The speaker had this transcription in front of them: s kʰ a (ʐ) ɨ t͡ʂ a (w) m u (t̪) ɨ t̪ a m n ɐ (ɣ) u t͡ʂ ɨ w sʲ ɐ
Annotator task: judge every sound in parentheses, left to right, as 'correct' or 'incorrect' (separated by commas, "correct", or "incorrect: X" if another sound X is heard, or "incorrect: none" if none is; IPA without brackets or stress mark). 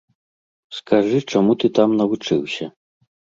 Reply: correct, incorrect: none, correct, incorrect: v